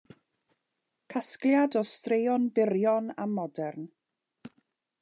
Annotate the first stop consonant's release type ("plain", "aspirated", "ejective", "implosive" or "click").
aspirated